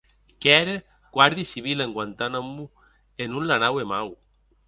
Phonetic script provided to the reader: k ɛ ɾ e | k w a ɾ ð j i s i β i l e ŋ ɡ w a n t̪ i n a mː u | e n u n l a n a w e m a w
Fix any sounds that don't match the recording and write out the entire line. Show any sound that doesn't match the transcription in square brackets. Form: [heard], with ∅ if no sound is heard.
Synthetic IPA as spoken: k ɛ ɾ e | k w a ɾ ð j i s i β i l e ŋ ɡ w a n t̪ [a] n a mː u | e n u n l a n a w e m a w